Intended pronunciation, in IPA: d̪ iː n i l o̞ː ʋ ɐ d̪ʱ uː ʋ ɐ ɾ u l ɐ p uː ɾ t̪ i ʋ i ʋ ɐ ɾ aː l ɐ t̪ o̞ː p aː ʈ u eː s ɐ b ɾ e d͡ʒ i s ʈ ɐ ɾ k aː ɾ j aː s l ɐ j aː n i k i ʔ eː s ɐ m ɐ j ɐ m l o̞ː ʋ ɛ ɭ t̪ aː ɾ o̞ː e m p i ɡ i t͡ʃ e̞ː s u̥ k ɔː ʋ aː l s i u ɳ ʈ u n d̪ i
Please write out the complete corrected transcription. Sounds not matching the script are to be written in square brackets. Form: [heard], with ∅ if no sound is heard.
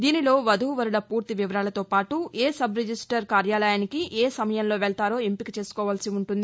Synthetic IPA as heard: d̪ iː n i l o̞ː ʋ ɐ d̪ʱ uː ʋ ɐ ɾ u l ɐ p uː ɾ t̪ i ʋ i ʋ ɐ ɾ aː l ɐ t̪ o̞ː p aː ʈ u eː s ɐ b ɾ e d͡ʒ i s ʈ ɐ ɾ k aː ɾ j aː [∅] l ɐ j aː n i k i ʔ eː s ɐ m ɐ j ɐ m l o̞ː ʋ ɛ ɭ t̪ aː ɾ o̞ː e m p i [k] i t͡ʃ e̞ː s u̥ k ɔː ʋ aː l s i u ɳ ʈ u n d̪ i